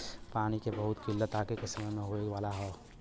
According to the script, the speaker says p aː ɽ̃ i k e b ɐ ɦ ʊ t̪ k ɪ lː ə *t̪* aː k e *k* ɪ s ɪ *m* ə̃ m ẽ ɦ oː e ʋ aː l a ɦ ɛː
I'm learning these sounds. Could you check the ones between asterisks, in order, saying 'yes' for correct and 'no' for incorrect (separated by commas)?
yes, yes, yes